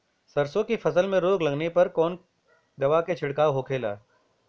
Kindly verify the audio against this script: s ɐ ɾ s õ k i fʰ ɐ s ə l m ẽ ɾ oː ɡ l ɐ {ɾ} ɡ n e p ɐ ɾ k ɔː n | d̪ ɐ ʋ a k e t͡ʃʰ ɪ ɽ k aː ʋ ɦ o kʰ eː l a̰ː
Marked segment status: incorrect: none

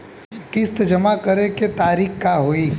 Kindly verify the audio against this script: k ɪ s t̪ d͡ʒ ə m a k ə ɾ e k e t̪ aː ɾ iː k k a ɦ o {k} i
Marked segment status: incorrect: none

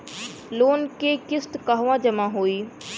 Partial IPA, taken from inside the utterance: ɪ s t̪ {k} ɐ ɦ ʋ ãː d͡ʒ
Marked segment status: correct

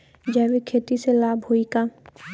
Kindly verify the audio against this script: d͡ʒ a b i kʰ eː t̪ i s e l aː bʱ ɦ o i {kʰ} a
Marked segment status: incorrect: k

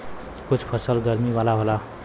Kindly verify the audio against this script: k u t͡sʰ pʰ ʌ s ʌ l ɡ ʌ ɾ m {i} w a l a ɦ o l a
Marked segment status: correct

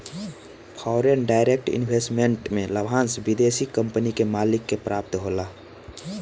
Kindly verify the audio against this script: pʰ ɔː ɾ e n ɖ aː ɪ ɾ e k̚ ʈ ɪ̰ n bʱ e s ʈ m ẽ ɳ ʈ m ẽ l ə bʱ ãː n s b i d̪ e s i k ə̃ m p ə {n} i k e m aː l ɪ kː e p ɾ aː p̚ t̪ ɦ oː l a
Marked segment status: correct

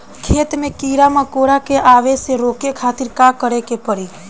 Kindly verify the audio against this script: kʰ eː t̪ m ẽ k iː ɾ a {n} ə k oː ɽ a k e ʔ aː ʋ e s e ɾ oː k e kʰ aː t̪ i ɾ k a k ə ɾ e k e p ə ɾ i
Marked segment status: incorrect: m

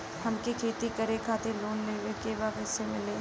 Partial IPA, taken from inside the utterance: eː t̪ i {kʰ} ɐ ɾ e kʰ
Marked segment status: incorrect: k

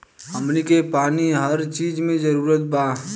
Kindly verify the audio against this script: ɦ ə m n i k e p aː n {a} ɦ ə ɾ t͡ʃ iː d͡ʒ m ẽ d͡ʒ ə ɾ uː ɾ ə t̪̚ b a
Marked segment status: incorrect: i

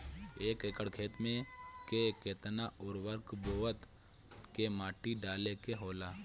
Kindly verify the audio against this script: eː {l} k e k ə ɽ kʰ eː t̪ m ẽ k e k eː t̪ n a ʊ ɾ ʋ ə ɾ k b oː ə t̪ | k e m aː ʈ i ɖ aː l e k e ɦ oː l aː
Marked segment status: incorrect: none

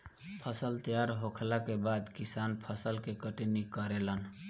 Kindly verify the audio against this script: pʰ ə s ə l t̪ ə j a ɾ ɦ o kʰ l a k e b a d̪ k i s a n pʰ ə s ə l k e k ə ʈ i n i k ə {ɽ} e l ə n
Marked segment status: incorrect: ɾ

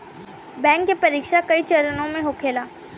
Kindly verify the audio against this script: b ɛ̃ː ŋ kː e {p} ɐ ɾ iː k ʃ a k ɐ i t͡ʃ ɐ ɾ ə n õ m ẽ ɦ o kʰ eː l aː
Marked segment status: correct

